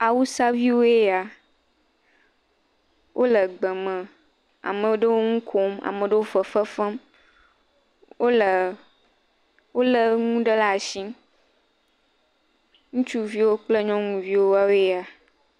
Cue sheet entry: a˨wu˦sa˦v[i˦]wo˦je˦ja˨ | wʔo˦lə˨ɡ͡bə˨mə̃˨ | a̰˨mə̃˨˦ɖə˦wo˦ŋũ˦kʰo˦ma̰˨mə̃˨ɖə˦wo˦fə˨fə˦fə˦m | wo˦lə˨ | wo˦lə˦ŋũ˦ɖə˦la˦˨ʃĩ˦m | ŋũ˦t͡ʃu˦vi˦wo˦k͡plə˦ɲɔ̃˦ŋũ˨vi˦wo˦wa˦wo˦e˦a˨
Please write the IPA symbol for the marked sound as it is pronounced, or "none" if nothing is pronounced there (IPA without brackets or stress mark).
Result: i˦